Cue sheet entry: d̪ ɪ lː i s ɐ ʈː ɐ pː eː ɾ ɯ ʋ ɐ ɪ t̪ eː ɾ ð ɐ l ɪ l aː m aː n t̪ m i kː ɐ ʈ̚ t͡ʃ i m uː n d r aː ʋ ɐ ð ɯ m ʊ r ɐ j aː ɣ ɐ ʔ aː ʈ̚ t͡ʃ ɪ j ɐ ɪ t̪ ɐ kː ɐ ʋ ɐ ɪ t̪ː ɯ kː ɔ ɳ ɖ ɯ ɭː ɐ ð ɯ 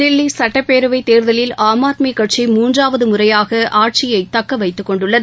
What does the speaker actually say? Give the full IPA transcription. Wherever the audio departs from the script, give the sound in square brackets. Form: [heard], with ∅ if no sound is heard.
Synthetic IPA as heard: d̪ ɪ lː i s ɐ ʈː ɐ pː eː ɾ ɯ ʋ ɐ ɪ t̪ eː ɾ ð ɐ l ɪ l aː m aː [∅] t̪ m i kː ɐ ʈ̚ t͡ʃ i m uː n d r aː ʋ ɐ ð ɯ m ʊ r ɐ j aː ɣ ɐ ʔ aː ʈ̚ t͡ʃ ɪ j ɐ ɪ t̪ ɐ kː ɐ ʋ ɐ ɪ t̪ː ɯ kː ɔ ɳ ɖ ɯ ɭː ɐ ð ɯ